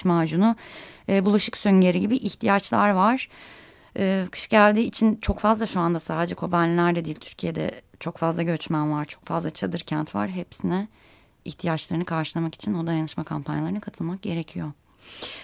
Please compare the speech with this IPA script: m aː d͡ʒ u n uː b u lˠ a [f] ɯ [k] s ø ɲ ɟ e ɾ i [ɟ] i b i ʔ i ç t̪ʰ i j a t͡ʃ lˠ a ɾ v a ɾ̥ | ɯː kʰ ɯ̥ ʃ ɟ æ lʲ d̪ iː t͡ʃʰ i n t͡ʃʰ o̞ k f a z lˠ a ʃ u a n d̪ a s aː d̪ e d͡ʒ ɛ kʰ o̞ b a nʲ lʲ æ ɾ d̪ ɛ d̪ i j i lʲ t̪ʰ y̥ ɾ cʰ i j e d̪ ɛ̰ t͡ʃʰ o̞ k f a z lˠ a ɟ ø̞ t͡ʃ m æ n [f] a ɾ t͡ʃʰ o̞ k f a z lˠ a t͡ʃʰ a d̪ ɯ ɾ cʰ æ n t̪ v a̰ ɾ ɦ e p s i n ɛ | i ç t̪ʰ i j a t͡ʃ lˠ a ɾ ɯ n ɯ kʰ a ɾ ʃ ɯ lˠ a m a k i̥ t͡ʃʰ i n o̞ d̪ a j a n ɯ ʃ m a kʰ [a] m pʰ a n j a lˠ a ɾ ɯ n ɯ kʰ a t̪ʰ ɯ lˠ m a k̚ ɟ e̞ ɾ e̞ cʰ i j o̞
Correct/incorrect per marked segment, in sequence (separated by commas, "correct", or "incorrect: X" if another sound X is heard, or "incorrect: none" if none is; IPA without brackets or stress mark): incorrect: ʃ, correct, correct, incorrect: v, correct